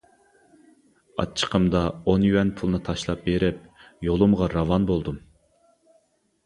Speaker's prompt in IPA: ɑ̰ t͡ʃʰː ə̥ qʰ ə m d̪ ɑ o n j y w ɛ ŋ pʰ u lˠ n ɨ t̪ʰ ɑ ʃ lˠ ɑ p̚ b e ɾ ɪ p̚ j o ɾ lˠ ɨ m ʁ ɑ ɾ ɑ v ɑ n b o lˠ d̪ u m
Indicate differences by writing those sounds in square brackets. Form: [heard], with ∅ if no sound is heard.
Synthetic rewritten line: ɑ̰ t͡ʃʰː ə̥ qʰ ə m d̪ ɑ o n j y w ɛ [n] pʰ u lˠ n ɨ t̪ʰ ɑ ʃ lˠ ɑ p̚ b e ɾ ɪ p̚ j o [∅] lˠ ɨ m ʁ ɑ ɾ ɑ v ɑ n b o lˠ d̪ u m

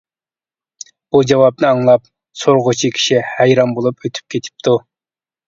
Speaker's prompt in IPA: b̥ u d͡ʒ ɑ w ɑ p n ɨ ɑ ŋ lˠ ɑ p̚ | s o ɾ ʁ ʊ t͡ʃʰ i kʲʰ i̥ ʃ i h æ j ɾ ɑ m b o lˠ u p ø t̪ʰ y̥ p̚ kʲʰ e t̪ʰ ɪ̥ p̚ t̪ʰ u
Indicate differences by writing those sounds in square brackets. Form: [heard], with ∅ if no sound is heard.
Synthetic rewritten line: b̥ u d͡ʒ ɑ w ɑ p n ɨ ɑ ŋ lˠ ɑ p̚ | s o ɾ ʁ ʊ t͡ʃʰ i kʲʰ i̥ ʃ i h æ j ɾ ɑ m b o lˠ u p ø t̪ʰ y̥ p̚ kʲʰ e t̪ʰ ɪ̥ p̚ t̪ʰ u

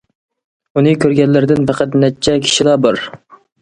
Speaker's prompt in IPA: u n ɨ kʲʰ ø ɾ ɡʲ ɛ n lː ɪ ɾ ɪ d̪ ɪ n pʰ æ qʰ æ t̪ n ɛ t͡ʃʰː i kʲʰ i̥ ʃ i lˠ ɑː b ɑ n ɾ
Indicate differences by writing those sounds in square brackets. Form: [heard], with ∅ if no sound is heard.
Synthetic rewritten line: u n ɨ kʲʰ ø ɾ ɡʲ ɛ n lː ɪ ɾ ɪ d̪ ɪ n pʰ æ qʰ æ t̪ n ɛ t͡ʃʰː [ɛ] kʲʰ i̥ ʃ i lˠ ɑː b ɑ [∅] ɾ

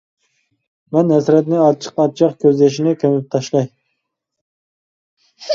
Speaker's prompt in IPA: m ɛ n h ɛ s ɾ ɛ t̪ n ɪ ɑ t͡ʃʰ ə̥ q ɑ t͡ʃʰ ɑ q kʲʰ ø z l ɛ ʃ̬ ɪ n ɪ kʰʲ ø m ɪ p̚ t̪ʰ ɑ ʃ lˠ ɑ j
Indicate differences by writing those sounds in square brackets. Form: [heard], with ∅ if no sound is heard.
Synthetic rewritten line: m ɛ n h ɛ s ɾ ɛ t̪ n ɪ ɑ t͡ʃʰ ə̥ q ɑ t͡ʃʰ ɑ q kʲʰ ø z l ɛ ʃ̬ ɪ n ɪ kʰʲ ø m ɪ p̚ t̪ʰ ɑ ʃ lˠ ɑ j

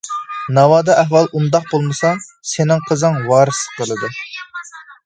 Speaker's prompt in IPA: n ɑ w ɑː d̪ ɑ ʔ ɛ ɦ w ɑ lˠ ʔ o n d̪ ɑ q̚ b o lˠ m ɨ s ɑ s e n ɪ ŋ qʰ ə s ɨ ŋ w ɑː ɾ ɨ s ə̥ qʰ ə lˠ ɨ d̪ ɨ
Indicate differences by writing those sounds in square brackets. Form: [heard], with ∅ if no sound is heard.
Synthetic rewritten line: n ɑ w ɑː d̪ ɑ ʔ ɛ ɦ w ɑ lˠ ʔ [u] n d̪ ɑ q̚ b o lˠ m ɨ s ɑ s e n ɪ ŋ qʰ ə [z] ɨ ŋ w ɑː ɾ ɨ s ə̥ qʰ ə lˠ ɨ d̪ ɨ

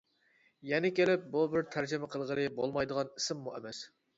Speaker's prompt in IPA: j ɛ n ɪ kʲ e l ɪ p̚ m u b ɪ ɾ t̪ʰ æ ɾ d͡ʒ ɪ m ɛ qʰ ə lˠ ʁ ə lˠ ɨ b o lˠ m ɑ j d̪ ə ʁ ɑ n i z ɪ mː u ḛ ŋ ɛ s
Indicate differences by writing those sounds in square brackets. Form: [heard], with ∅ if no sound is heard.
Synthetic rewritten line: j ɛ n ɪ kʲ e l ɪ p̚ [b] u b ɪ ɾ t̪ʰ æ ɾ d͡ʒ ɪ m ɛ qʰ ə lˠ ʁ ə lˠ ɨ b o lˠ m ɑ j d̪ ə ʁ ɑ n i [s] ɪ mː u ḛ [m] ɛ s

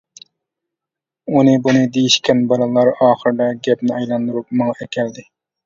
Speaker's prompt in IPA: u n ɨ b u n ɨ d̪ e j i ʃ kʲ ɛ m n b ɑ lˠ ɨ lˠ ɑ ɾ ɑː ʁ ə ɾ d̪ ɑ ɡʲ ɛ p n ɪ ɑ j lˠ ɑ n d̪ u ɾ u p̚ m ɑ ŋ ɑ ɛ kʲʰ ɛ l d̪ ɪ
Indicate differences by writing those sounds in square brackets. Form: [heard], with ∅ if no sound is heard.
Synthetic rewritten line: u n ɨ b u n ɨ d̪ e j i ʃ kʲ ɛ [∅] n b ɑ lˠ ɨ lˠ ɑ ɾ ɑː [χ] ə ɾ d̪ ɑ ɡʲ ɛ p n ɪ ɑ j lˠ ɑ n d̪ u ɾ u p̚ m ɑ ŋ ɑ ɛ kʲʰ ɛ l d̪ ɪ

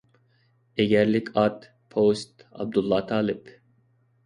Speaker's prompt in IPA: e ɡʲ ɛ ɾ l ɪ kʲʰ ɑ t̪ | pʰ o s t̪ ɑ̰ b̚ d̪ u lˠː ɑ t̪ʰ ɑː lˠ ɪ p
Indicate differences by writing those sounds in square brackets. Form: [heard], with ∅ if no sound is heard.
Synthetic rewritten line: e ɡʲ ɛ ɾ l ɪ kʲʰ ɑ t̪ | pʰ o s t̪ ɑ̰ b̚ d̪ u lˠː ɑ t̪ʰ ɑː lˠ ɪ p

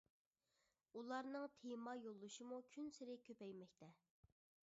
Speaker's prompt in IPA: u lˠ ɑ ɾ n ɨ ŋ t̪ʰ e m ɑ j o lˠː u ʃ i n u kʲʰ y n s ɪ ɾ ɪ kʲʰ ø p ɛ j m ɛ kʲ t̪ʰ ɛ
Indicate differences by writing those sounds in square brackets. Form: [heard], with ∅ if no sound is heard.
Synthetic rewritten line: u lˠ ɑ ɾ n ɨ ŋ t̪ʰ e m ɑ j o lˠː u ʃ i [m] u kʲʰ y n s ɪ ɾ ɪ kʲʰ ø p ɛ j m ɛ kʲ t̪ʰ ɛ

